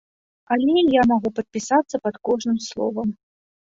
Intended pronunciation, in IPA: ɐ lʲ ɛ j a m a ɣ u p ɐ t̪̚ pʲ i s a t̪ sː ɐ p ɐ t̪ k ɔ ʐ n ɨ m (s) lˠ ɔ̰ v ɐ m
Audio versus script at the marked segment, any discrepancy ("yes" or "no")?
no